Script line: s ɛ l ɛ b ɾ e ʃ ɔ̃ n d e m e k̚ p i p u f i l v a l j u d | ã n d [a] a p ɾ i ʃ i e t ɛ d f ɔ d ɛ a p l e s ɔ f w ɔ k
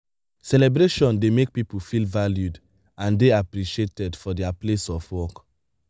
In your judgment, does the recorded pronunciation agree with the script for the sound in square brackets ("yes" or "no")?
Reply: no